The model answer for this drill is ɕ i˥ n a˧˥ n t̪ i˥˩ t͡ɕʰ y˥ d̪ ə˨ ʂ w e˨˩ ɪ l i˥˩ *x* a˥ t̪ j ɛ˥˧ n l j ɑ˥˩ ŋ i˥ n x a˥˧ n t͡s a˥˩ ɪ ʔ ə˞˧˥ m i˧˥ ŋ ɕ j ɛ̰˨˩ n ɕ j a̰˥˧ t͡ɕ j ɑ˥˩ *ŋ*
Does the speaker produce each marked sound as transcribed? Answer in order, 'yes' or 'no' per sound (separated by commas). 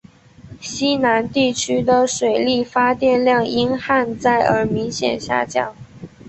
no, yes